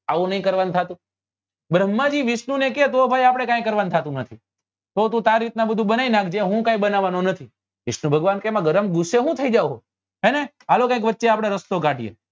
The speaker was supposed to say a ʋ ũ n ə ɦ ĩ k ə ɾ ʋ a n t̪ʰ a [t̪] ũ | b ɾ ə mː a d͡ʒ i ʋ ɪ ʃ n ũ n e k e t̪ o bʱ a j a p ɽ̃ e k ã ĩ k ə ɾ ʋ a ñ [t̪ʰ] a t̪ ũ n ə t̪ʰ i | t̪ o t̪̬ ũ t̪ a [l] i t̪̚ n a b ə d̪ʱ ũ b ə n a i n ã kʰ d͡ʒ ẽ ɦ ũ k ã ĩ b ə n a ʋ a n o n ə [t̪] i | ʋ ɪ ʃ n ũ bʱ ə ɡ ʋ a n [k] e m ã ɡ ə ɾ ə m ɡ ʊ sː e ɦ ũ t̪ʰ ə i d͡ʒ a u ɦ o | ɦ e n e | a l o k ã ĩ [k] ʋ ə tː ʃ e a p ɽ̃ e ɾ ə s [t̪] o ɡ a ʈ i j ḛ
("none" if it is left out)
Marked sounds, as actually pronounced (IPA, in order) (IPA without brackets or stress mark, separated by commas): t̪, t̪ʰ, ɾ, t̪ʰ, k, k, t̪